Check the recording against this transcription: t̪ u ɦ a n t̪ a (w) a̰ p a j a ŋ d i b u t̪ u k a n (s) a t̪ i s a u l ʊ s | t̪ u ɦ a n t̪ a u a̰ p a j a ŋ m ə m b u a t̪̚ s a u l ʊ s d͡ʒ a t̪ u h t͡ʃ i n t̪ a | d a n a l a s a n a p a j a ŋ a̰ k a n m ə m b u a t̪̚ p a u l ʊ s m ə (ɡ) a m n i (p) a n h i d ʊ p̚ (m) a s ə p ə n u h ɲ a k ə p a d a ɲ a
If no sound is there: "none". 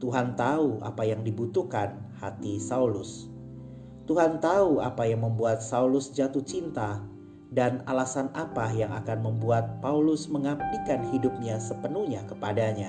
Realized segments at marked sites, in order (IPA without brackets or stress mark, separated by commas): u, h, ŋ, k, ɲ